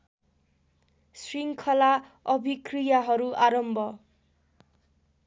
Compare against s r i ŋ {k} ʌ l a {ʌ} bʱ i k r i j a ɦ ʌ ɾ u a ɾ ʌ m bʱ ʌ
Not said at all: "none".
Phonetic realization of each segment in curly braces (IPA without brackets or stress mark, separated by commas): kʰ, ʌ